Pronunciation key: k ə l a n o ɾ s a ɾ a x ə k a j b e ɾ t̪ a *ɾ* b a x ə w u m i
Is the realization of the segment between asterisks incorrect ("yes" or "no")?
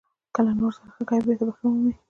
yes